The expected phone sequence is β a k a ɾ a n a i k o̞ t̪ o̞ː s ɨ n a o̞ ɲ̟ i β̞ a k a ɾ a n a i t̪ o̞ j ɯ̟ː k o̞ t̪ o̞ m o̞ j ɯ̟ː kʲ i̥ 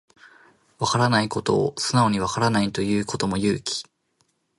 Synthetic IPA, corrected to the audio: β a k a ɾ a n a i k o̞ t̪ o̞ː s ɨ n a o̞ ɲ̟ i β̞ a k a ɾ a n a i t̪ o̞ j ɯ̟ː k o̞ t̪ o̞ m o̞ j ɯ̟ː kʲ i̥